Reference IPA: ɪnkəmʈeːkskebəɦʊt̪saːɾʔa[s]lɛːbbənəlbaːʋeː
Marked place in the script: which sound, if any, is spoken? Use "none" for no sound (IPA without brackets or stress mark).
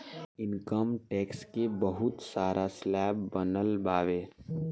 s